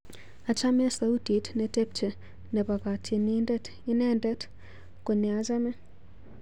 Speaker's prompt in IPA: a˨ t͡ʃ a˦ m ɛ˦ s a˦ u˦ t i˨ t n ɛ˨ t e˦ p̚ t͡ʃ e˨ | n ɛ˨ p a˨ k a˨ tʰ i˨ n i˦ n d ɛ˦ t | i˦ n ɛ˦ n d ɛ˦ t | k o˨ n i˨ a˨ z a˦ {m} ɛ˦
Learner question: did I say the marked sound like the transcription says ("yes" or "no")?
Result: yes